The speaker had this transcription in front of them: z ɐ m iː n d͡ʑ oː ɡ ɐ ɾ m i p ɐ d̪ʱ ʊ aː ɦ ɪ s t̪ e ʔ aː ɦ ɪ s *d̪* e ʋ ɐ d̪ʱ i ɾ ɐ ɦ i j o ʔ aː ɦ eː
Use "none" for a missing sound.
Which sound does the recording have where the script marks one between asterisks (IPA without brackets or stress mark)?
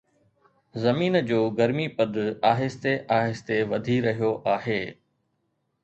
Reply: t̪